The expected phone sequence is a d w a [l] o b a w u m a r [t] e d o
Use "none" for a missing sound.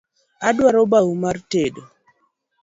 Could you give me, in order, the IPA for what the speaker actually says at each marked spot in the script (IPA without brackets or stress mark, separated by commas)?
ɾ, t